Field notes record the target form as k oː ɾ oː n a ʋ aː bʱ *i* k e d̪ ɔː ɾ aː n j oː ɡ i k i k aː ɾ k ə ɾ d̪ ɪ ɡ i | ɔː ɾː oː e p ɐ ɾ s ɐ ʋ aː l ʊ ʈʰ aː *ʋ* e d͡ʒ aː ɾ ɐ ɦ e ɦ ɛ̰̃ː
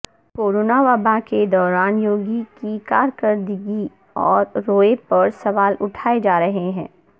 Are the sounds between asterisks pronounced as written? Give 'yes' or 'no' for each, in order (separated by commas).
no, no